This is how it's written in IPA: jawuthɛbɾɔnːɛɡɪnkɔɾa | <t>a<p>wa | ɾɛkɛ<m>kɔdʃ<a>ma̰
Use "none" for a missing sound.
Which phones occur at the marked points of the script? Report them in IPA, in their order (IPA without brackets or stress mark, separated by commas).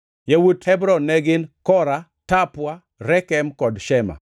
t, p, m, ɛ